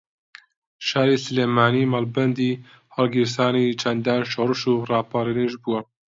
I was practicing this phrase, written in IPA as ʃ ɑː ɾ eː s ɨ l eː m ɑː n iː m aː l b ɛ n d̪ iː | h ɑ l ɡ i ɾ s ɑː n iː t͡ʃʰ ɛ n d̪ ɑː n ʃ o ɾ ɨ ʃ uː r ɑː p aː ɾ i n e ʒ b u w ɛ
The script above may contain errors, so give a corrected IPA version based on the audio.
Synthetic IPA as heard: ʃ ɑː ɾ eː s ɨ l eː m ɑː n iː m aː l b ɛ n d̪ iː | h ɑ l ɡ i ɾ s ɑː n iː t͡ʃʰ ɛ n d̪ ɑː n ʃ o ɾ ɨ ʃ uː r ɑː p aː ɾ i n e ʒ b u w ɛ